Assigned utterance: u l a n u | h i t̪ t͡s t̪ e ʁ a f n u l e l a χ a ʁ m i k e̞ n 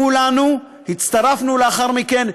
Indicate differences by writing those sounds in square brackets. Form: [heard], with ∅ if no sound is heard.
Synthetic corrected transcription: u l a n u | h i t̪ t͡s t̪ [a] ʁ a f n u l e [∅] a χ a ʁ m i k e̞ n